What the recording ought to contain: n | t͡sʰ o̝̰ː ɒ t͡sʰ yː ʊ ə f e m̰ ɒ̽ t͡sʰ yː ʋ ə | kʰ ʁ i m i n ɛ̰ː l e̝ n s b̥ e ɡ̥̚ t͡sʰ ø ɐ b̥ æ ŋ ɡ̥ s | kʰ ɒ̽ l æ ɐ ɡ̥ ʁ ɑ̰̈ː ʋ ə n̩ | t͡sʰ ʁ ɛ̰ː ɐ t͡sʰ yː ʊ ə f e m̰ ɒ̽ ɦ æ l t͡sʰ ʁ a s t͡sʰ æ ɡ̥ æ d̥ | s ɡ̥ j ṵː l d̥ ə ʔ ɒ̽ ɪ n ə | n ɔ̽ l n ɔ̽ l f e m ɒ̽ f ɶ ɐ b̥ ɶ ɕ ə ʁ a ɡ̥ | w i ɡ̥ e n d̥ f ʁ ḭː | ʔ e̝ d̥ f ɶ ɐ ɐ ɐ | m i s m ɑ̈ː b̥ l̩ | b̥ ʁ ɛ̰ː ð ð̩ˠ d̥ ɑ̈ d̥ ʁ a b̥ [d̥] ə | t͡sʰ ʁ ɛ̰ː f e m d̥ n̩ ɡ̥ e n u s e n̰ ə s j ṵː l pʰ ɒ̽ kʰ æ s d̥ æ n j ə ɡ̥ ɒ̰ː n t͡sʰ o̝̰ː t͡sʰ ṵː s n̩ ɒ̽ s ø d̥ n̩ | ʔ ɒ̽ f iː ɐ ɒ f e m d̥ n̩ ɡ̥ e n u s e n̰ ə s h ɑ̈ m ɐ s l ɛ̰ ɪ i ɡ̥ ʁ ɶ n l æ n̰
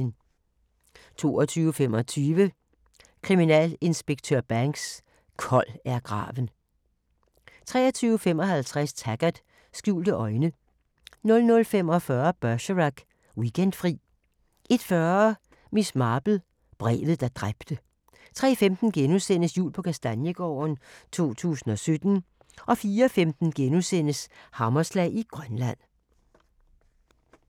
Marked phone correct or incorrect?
correct